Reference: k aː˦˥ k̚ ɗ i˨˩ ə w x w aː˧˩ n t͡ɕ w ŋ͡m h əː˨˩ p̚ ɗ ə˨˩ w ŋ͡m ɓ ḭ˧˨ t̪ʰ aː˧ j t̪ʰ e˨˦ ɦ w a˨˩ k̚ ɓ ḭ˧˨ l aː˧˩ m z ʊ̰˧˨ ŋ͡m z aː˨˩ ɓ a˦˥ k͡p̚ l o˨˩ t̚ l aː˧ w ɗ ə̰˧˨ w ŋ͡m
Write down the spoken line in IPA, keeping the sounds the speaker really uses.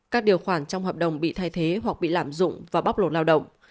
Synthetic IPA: k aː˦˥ k̚ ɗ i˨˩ ə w x w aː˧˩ n t͡ɕ w ŋ͡m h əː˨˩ p̚ ɗ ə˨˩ w ŋ͡m ɓ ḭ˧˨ t̪ʰ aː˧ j t̪ʰ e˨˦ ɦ w a˨˩ k̚ ɓ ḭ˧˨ l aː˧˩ m z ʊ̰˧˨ ŋ͡m v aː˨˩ ɓ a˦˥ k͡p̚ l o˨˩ t̚ l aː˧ w ɗ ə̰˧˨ w ŋ͡m